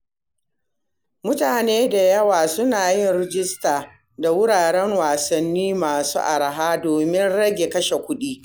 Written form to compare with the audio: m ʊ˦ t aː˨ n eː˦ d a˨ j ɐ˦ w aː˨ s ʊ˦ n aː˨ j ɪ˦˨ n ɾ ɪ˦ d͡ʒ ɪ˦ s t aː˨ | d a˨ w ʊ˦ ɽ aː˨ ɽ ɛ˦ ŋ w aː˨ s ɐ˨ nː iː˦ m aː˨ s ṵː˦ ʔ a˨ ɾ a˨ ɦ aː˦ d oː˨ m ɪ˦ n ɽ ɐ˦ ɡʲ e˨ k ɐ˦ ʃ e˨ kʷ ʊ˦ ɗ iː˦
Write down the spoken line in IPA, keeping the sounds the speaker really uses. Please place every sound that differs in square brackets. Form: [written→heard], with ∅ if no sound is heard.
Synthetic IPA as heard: m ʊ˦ t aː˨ n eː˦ d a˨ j ɐ˦ w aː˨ s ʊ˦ n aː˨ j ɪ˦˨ n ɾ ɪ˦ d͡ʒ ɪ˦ s t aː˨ | d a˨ w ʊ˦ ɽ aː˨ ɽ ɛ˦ ŋ w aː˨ s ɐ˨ nː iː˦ m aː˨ s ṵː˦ ʔ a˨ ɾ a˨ ɦ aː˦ d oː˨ m ɪ˦ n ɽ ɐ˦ ɡʲ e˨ k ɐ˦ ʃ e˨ kʷ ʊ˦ ɗ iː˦